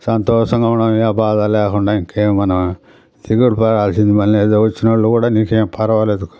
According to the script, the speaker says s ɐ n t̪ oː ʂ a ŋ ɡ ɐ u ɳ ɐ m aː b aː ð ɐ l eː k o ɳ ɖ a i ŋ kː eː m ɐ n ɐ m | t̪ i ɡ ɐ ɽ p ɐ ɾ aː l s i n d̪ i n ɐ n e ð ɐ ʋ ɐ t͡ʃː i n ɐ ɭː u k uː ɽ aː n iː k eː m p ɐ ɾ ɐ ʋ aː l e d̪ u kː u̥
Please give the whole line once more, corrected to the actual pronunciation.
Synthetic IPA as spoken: s ɐ n t̪ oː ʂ ɐ ŋ ɡ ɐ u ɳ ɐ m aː b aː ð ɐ l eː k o ɳ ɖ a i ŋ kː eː m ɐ n ɐ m | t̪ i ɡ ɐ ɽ p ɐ ɾ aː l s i n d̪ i m ɐ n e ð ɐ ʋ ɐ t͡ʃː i n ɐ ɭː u k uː ɽ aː n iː k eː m p ɐ ɾ ɐ ʋ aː l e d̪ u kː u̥